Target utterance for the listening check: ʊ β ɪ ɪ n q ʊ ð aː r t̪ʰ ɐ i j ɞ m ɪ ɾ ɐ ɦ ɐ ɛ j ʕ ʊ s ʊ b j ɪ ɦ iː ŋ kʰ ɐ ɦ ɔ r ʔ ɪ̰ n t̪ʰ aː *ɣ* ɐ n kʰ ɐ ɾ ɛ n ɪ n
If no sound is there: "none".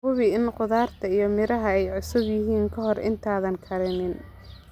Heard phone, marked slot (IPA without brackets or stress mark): ð